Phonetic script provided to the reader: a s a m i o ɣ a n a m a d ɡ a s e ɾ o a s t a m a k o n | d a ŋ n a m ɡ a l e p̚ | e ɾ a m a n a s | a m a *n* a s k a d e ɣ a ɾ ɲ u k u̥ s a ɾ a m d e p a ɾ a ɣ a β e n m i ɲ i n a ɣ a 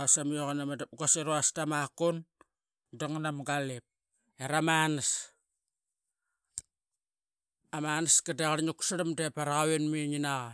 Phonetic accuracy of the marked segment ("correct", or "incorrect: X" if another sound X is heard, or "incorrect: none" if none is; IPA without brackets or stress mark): correct